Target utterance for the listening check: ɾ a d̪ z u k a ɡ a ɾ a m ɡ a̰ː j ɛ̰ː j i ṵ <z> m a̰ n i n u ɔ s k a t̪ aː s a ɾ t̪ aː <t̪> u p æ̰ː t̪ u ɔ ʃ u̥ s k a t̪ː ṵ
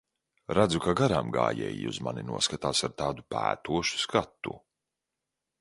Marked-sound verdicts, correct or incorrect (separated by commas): correct, incorrect